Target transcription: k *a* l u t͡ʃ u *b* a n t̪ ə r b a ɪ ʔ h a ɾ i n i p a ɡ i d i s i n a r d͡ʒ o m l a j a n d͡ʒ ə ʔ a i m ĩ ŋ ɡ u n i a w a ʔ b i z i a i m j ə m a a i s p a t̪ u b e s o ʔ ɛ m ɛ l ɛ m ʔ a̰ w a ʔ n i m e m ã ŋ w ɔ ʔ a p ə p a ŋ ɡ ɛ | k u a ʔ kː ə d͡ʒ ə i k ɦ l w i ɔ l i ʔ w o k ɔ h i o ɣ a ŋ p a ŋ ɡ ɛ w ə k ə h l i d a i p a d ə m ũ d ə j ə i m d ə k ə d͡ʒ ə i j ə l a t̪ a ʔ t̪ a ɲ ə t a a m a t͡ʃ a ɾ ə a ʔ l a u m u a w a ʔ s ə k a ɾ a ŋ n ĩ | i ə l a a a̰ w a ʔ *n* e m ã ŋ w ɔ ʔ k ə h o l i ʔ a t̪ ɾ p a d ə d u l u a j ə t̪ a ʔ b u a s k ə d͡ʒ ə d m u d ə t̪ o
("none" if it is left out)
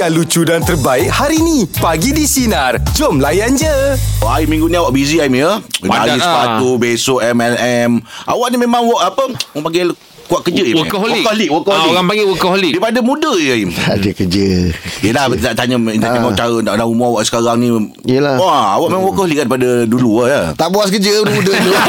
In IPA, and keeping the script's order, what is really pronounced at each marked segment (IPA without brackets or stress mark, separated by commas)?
a, d, m